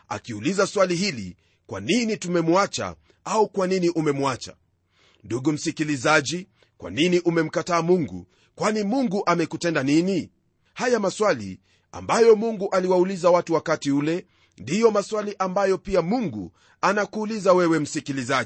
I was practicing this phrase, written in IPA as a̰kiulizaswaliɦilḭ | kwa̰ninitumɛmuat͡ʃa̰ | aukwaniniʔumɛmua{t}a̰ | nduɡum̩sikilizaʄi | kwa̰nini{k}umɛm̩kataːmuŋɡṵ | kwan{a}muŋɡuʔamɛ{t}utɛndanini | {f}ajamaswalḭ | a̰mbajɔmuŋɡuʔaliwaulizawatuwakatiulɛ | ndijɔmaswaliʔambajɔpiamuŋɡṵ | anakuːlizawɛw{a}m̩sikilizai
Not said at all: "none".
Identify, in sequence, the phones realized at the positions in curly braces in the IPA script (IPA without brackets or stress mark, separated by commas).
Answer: t͡ʃ, ʔ, i, k, h, ɛ